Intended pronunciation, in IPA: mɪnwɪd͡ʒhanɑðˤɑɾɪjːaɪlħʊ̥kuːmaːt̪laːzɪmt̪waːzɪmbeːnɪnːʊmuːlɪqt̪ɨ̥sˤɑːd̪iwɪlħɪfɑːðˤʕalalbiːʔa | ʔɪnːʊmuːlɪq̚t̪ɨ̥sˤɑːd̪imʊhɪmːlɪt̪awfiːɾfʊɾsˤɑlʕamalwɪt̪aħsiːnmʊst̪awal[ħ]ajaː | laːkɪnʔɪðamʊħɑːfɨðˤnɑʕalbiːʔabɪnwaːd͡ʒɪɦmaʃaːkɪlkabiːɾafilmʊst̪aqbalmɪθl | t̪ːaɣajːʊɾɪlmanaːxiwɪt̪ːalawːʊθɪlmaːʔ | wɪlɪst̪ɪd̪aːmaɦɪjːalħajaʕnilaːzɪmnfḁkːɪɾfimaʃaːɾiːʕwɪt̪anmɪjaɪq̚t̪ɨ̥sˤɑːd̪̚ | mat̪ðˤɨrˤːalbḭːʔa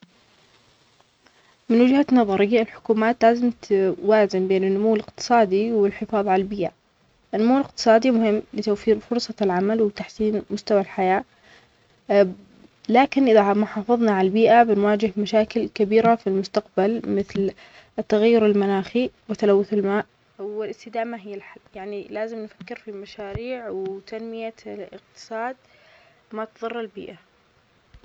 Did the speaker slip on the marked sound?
no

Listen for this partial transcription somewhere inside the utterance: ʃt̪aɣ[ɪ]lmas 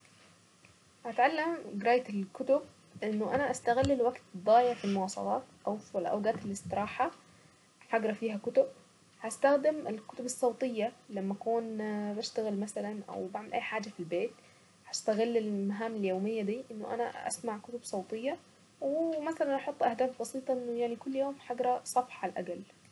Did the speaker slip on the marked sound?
no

